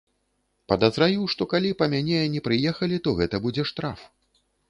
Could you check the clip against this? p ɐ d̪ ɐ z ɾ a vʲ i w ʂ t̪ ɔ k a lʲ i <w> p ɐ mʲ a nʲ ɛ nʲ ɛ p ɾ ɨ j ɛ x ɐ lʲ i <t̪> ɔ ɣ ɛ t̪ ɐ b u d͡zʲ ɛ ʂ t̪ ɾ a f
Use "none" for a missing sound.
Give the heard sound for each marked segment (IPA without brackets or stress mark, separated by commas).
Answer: none, t̪